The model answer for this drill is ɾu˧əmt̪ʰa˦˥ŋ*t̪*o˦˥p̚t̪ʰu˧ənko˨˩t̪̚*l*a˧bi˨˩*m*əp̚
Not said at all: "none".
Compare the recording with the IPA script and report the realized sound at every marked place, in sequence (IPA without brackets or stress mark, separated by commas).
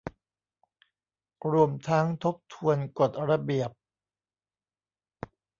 t̪ʰ, ɾ, none